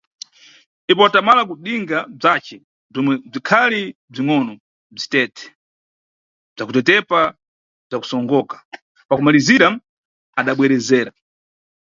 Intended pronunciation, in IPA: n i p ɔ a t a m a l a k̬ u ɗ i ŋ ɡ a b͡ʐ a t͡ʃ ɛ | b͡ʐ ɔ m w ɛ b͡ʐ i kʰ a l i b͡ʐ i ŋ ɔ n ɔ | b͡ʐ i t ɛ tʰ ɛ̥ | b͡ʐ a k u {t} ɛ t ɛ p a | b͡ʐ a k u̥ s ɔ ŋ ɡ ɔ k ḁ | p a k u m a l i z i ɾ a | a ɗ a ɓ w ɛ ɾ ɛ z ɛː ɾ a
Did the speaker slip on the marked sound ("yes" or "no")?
no